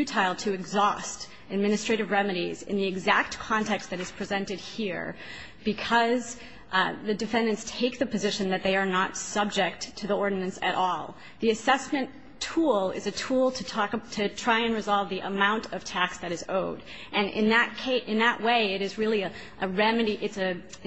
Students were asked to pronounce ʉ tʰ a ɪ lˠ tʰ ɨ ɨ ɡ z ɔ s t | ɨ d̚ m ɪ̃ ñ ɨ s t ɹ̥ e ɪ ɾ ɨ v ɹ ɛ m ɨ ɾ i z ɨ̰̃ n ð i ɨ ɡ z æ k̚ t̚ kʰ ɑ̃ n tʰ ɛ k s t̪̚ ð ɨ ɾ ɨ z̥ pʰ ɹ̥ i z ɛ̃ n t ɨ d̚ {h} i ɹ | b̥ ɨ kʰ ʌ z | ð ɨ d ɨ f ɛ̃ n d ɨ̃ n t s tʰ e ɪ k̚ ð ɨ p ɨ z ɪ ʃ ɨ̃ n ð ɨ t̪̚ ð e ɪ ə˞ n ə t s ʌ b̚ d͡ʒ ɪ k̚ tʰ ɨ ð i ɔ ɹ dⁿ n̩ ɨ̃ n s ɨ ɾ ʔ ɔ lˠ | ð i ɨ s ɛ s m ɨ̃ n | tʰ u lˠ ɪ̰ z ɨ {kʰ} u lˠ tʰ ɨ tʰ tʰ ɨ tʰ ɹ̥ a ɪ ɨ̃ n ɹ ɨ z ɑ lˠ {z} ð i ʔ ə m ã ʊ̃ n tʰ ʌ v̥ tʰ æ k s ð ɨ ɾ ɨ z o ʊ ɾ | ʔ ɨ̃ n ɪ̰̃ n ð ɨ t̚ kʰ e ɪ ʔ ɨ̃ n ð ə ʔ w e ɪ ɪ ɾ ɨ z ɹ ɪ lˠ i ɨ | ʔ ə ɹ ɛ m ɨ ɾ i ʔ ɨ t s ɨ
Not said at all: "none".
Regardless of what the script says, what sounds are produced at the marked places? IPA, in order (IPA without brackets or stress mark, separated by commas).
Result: h, tʰ, v